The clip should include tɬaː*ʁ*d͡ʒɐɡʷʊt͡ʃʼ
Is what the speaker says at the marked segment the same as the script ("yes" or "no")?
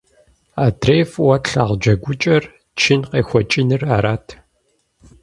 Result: yes